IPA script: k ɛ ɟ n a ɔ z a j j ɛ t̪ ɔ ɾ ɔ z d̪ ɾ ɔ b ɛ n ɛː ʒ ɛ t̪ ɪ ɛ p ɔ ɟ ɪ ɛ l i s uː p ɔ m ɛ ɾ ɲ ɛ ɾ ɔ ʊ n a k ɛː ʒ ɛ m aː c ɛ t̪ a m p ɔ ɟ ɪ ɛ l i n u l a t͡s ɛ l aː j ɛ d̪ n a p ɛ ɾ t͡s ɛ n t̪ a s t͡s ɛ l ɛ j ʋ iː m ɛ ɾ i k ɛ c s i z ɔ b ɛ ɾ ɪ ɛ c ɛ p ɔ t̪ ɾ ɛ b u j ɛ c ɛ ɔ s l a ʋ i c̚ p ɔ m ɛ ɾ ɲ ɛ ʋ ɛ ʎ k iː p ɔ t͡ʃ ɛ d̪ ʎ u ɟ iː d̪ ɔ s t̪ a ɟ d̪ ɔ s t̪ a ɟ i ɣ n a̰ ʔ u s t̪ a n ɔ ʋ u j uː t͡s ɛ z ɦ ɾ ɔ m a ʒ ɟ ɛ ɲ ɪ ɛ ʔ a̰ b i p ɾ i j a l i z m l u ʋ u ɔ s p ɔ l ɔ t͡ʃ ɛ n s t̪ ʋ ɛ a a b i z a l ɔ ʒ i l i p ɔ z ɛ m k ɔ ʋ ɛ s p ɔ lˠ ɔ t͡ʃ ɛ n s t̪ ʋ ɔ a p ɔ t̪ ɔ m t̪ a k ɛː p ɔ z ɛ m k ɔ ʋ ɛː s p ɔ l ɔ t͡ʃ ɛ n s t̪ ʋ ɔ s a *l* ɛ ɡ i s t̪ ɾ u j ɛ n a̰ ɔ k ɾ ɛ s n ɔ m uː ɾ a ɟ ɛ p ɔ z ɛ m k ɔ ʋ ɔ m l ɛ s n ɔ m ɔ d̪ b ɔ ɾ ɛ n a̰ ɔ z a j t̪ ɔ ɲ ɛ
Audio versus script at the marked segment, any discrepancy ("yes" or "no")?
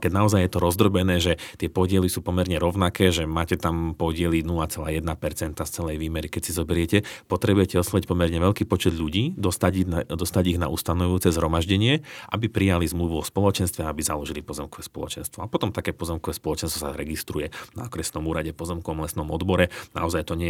yes